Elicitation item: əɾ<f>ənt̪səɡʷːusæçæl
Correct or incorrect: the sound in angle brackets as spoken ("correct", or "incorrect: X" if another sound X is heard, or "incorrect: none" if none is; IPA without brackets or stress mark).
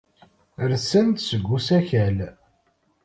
incorrect: s